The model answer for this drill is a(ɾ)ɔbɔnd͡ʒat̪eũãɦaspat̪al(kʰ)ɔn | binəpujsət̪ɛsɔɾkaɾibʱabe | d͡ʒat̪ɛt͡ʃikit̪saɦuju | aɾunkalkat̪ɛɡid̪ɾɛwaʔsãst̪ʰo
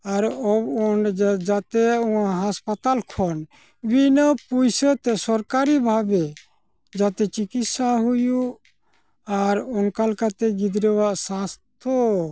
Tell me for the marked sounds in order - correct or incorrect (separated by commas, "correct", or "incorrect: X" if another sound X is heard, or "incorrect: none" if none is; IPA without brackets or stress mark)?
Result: correct, correct